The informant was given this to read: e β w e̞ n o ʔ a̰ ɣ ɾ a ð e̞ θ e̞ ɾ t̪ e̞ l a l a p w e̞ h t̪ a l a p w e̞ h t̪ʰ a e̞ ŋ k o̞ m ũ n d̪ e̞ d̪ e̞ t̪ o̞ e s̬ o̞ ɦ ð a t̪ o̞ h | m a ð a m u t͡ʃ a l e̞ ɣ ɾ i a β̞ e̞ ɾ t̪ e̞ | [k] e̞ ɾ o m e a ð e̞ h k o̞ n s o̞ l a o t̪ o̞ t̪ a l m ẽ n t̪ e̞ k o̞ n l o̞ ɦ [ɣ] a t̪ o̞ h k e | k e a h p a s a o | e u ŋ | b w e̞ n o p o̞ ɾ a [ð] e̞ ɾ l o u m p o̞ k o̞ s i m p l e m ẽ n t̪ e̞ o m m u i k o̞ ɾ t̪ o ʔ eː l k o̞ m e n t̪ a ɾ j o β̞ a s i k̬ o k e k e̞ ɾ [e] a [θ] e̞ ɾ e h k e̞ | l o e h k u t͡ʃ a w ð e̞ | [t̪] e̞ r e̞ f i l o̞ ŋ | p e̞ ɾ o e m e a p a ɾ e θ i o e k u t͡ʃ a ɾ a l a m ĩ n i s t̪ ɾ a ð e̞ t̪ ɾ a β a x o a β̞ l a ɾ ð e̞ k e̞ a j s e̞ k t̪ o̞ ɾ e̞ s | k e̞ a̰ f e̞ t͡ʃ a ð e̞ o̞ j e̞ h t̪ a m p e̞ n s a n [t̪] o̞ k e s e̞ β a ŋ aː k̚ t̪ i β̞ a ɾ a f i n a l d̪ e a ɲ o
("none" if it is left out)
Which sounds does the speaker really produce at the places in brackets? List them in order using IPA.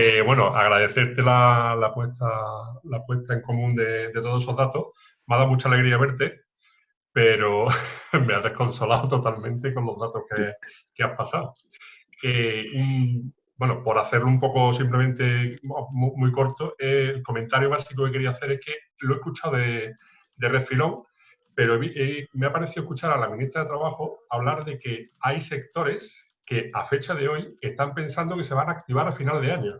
p, ð, θ, i, θ, d̪, d̪

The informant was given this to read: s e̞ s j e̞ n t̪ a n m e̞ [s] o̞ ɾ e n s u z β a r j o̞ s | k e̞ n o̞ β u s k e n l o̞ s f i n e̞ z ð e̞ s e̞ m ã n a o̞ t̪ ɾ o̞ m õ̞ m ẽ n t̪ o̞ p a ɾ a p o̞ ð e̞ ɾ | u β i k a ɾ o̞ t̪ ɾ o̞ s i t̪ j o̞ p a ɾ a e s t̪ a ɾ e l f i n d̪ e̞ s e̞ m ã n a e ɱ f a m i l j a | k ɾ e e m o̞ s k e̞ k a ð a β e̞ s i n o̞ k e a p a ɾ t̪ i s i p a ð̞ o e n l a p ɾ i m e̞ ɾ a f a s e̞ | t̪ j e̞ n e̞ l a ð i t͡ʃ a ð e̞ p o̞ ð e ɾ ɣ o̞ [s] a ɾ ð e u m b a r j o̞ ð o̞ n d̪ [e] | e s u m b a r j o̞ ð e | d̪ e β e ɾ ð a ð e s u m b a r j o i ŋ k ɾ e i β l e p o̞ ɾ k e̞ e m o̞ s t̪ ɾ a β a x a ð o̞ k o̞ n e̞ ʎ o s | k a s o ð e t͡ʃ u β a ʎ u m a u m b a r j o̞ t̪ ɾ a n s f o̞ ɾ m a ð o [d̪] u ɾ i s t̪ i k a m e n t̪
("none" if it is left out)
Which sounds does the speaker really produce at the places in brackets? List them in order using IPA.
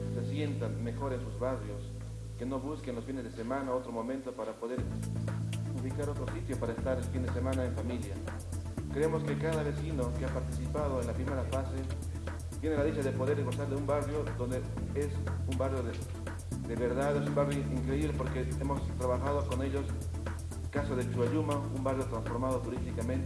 x, s, e, t̪

